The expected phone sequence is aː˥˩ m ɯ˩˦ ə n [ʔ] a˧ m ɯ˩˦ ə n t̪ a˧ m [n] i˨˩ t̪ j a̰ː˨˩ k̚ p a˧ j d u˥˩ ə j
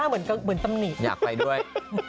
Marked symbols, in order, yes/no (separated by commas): no, yes